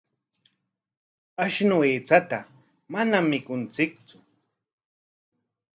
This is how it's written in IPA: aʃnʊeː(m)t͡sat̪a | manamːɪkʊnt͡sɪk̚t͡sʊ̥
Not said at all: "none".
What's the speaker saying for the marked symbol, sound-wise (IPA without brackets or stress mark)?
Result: none